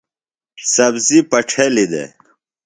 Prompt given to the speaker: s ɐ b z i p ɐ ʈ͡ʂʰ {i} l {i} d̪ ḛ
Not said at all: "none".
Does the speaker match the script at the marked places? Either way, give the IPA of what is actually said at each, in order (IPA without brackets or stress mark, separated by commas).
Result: e, i